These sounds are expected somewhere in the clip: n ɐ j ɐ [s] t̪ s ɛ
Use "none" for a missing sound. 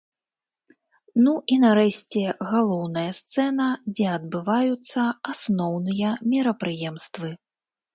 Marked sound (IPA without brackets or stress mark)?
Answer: s